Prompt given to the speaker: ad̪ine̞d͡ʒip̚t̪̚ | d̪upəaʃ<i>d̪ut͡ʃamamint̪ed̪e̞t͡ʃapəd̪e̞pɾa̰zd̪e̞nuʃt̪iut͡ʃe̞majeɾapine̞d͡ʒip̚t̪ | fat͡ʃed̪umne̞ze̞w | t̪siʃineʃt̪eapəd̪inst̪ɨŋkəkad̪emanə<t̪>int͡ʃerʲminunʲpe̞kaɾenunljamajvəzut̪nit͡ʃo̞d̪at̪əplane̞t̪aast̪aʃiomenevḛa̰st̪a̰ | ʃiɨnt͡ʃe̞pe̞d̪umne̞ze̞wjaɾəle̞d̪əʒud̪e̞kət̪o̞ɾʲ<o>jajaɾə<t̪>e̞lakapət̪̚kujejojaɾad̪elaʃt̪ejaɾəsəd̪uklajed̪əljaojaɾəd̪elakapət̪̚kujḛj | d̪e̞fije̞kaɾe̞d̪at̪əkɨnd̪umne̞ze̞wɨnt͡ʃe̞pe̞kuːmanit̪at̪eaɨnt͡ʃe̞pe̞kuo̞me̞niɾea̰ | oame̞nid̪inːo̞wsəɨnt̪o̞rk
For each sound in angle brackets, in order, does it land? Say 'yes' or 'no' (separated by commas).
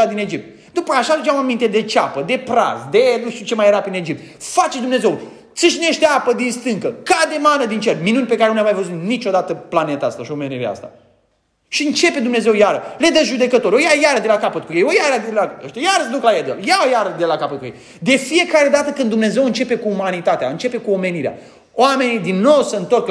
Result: no, no, yes, no